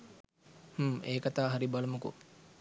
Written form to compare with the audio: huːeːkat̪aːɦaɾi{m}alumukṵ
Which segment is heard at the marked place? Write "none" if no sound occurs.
b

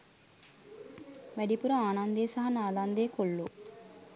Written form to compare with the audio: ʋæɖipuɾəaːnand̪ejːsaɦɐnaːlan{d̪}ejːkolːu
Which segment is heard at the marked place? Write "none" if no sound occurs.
d̪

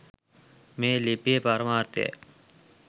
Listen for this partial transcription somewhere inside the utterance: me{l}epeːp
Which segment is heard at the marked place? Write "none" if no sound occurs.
l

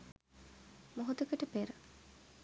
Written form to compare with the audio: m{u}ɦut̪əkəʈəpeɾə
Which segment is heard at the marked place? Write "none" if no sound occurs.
o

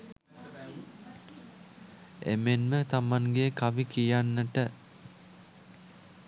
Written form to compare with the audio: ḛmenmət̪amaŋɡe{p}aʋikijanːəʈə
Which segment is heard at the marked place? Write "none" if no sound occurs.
k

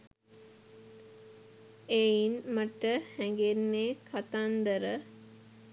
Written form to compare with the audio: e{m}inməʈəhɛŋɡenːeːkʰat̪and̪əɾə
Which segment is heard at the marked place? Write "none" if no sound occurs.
none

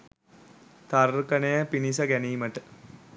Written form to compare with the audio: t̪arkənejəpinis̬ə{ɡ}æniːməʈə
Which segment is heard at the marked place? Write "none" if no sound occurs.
ɡ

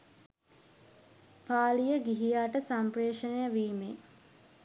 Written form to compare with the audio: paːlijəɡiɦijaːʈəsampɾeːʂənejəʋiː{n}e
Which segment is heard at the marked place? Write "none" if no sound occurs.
m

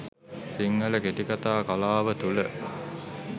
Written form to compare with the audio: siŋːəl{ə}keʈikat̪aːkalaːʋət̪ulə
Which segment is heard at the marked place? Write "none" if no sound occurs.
ə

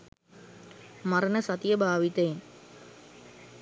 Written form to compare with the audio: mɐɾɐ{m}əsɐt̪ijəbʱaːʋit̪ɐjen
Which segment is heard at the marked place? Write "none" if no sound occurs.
n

